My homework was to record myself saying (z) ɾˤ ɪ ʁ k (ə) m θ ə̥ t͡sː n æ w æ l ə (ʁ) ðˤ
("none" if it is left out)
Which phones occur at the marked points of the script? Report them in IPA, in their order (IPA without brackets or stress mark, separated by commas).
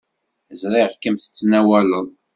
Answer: z, ə, none